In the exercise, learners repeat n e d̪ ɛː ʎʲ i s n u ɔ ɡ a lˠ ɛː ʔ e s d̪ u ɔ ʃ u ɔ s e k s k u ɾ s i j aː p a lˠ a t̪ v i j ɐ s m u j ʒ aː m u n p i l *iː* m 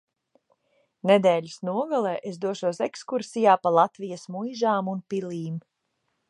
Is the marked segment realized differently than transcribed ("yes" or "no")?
no